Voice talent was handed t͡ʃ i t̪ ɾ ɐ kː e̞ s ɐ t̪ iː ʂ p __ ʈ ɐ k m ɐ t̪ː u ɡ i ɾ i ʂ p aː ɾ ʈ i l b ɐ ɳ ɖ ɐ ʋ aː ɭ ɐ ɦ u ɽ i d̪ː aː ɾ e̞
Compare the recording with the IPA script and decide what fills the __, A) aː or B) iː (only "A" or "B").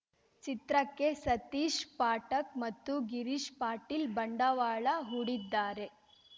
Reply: A